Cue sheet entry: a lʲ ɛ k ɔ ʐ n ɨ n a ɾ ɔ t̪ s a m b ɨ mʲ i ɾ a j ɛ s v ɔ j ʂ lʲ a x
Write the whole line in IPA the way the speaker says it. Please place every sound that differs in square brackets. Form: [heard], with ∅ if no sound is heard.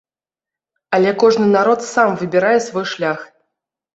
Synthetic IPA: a lʲ ɛ k ɔ ʐ n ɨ n a ɾ ɔ t̪ s a m [v] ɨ [bʲ] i ɾ a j ɛ s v ɔ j ʂ lʲ a x